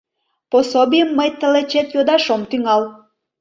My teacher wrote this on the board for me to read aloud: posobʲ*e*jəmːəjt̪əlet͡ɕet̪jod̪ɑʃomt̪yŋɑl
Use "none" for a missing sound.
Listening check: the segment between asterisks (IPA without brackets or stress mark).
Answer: i